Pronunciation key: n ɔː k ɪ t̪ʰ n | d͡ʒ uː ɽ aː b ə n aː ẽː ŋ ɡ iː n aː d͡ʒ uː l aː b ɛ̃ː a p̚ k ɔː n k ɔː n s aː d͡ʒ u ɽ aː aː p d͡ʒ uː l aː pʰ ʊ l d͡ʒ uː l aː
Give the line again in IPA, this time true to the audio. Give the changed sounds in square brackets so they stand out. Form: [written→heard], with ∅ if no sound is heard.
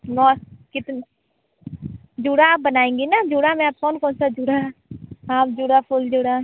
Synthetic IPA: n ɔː k ɪ [t̪ʰ→t̪] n | d͡ʒ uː ɽ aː b ə n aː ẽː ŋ ɡ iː n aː d͡ʒ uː [l→ɽ] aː [b→m] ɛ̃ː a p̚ k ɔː n k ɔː n s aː d͡ʒ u ɽ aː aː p d͡ʒ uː [l→ɽ] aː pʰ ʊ l d͡ʒ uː [l→ɽ] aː